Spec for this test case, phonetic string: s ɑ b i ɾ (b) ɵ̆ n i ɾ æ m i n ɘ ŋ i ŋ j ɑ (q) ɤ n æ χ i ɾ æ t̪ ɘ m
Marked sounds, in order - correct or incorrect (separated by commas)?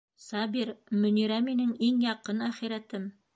incorrect, correct